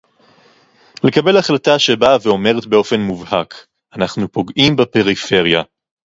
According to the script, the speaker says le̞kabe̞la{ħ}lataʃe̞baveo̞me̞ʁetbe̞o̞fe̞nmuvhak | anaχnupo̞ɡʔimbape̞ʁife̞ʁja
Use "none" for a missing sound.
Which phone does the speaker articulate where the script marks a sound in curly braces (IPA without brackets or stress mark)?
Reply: χ